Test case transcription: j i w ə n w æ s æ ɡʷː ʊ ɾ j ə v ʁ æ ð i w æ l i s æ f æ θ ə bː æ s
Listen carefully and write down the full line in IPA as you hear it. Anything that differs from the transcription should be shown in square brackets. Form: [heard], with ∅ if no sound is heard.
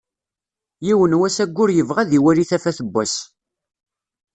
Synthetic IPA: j i w ə n w æ s æ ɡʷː ʊ ɾ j ə v ʁ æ ð i w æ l i [θ] æ f æ θ ə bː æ s